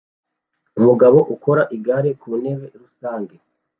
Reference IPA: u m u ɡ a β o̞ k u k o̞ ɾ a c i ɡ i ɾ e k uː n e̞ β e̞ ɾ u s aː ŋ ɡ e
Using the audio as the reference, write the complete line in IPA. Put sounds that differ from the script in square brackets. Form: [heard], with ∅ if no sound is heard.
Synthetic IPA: u m u ɡ a β o̞ [ʔ] u k o̞ ɾ a [ʔ] i ɡ [a] ɾ e k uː n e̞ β e̞ ɾ u s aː ŋ ɡ e